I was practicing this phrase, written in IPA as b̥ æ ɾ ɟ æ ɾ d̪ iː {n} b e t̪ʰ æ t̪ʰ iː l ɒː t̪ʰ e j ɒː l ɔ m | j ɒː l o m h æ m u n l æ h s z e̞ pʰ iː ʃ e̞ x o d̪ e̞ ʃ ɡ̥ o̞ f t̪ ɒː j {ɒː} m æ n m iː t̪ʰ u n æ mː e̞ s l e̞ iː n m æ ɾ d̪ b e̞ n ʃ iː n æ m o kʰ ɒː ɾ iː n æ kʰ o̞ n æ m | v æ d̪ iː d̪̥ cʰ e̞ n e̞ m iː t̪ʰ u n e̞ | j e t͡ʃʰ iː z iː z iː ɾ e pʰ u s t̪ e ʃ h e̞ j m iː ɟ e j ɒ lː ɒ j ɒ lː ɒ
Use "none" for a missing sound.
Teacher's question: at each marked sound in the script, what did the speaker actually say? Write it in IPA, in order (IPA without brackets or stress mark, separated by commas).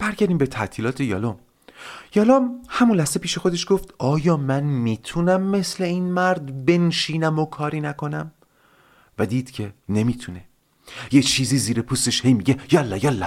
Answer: m, ɒː